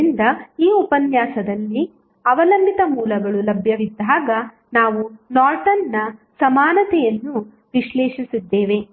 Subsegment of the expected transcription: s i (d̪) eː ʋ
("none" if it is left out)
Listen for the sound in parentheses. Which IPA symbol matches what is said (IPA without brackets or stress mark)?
d̪ː